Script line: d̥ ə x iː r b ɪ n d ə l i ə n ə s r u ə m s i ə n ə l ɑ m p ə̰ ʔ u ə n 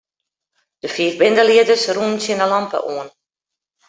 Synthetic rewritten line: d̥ ə f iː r b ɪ n d ə l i ə d ə s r u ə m s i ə n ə l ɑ m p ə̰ ʔ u ə n